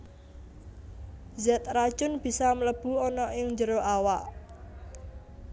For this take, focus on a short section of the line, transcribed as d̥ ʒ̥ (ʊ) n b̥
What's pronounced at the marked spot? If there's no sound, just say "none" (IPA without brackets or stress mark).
ʊ